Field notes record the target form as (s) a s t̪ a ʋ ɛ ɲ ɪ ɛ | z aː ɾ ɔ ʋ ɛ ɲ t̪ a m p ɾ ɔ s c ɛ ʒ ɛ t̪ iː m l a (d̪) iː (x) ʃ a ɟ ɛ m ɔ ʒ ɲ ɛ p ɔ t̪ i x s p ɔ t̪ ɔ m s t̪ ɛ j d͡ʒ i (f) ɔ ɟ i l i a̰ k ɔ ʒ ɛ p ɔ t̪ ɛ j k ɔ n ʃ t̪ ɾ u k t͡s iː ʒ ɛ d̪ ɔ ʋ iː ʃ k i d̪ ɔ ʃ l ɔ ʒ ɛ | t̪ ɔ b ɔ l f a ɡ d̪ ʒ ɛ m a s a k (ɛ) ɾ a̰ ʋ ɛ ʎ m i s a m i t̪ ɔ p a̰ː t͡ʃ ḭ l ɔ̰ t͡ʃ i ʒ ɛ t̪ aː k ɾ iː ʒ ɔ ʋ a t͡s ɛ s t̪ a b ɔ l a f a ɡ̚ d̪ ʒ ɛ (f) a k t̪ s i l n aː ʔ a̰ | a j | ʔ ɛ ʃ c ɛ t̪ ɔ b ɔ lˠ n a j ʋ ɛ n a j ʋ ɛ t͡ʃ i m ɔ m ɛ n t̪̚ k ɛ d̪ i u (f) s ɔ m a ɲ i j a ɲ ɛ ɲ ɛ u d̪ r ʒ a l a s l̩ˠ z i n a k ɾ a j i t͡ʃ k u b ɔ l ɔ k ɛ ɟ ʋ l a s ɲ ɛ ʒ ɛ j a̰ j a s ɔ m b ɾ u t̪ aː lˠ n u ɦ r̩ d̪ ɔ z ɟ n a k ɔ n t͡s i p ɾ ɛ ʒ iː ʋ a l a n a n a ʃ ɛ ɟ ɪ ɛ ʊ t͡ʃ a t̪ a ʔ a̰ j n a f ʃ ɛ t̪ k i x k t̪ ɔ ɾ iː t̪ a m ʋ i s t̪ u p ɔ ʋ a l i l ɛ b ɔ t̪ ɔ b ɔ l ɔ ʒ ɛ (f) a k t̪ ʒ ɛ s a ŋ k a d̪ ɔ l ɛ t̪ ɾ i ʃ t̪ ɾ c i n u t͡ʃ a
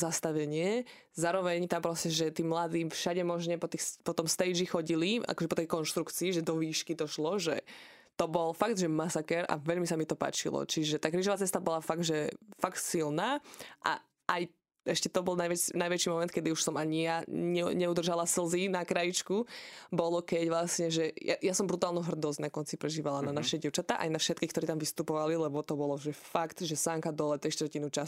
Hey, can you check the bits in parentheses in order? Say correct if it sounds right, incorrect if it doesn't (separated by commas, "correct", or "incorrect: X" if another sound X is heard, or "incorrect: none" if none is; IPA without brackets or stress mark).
incorrect: z, correct, incorrect: f, incorrect: x, correct, correct, incorrect: ʃ, correct